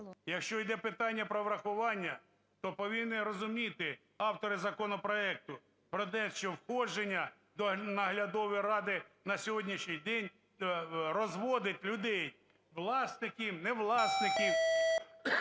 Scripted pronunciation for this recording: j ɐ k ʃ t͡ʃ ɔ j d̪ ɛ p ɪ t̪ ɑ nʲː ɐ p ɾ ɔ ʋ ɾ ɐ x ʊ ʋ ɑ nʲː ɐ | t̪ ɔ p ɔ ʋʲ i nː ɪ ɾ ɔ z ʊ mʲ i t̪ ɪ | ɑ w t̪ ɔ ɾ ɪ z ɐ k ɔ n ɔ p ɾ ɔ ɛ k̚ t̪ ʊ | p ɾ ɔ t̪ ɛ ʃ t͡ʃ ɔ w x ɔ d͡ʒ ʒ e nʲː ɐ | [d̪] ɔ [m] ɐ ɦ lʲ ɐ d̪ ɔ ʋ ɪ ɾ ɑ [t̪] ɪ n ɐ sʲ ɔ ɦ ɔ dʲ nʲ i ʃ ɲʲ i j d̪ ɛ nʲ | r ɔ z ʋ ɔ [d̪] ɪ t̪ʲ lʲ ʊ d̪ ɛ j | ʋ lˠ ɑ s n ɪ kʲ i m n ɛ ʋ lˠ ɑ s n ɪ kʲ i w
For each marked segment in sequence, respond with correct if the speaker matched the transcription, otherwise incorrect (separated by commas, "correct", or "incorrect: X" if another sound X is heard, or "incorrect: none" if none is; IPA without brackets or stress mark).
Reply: correct, incorrect: n, incorrect: d̪, correct